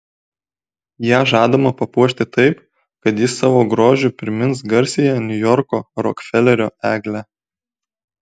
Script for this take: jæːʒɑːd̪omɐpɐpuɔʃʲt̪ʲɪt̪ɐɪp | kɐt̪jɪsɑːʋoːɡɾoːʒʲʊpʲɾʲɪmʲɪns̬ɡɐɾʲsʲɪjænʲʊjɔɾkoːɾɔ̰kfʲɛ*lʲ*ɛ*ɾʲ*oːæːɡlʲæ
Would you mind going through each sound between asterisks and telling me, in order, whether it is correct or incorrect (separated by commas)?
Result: correct, correct